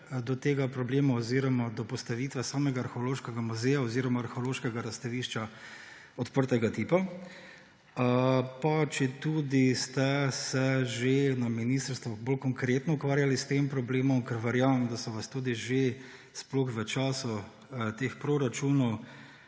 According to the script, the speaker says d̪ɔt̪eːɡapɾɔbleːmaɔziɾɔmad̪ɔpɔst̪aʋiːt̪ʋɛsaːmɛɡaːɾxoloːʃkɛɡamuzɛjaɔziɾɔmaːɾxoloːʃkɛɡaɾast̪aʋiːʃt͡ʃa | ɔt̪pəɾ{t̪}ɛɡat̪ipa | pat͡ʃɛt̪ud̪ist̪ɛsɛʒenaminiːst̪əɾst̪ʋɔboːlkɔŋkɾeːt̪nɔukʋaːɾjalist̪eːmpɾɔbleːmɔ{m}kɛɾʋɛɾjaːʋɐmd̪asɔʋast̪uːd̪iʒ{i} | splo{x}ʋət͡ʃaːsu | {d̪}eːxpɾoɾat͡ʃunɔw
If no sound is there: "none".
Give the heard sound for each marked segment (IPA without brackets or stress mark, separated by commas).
t̪, m, e, x, t̪